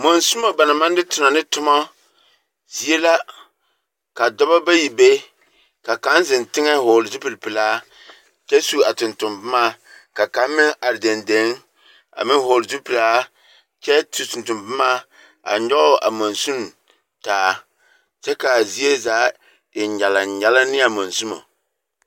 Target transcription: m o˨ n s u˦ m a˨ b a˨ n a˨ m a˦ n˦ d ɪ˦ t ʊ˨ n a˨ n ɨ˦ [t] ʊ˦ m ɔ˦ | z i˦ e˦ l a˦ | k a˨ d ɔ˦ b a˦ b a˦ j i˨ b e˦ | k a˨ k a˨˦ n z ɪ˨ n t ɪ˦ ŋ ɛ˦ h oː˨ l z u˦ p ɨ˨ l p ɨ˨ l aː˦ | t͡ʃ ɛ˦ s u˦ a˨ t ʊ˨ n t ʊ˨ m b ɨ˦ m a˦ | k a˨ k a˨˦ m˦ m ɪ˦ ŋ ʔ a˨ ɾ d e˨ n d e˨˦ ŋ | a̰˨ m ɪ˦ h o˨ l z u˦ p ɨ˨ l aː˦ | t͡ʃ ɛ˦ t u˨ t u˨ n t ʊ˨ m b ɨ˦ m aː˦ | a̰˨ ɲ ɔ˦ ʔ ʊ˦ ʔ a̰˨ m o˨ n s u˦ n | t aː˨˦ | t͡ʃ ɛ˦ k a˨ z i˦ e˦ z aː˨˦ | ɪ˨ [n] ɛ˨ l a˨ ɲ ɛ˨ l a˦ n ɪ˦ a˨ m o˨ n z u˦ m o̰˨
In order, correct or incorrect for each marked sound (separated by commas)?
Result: correct, incorrect